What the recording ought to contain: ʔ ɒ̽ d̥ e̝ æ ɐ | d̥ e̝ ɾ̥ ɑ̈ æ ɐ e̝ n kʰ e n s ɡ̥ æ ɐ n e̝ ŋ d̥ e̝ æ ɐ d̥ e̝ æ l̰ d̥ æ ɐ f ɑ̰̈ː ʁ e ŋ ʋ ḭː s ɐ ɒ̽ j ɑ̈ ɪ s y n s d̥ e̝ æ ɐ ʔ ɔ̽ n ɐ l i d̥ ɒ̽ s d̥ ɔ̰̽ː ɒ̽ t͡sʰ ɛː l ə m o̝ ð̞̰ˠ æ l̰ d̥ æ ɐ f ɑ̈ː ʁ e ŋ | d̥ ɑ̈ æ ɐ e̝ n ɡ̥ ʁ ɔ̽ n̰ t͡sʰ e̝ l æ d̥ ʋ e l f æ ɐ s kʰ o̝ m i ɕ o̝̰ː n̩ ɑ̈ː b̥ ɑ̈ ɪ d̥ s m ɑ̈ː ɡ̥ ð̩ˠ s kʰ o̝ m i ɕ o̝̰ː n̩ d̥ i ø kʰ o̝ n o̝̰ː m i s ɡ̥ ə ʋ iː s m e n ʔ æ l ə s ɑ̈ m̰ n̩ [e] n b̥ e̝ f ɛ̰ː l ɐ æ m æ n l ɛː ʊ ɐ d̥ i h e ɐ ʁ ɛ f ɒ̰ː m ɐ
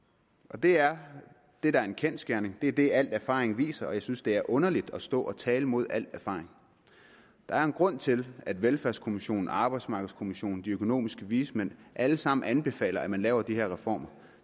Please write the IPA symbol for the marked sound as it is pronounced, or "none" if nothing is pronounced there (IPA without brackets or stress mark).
æ